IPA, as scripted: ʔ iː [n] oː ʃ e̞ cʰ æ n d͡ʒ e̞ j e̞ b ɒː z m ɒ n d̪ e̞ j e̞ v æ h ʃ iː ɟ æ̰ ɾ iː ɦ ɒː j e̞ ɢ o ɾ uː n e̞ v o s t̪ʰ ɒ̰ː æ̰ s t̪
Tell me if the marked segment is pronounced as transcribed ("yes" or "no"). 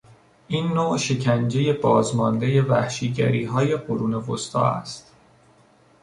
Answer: no